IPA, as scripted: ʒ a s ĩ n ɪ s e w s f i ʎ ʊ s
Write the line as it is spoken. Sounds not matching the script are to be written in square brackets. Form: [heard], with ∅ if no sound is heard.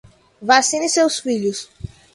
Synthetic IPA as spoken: [v] a s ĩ n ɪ s e w s f i ʎ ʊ s